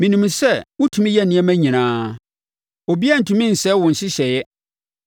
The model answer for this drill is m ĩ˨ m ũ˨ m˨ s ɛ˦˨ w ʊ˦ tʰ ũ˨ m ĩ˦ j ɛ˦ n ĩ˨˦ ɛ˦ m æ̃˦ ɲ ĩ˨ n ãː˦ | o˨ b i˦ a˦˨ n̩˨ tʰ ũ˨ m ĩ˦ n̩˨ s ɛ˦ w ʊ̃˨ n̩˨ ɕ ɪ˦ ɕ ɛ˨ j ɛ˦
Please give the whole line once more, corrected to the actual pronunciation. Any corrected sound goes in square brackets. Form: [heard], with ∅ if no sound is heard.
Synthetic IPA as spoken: m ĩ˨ [n] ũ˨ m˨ s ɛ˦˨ w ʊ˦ tʰ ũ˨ m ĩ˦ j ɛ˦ n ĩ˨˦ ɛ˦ m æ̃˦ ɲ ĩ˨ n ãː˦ | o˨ b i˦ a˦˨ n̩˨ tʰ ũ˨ m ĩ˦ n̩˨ s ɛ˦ w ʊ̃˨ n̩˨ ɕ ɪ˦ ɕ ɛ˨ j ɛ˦